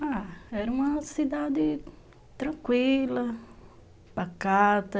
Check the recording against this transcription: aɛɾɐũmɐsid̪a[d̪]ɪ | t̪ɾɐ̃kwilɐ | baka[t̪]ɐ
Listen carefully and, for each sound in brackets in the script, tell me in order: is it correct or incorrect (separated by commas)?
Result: correct, correct